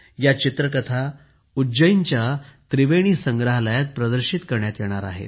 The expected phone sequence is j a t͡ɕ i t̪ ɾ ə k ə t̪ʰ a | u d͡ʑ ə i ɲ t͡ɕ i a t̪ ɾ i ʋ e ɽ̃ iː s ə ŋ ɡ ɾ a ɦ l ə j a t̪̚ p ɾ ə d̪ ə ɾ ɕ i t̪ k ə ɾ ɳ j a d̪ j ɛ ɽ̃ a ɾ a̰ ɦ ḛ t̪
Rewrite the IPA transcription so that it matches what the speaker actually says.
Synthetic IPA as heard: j a t͡ɕ i t̪ ɾ ə k ə t̪ʰ a | u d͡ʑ ə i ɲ t͡ɕ j a t̪ ɾ i ʋ e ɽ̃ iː s ə ŋ ɡ ɾ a ɦ l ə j a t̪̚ p ɾ ə d̪ ə ɾ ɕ i t̪ k ə ɾ ɳ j a t̪ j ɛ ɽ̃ a ɾ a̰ ɦ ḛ t̪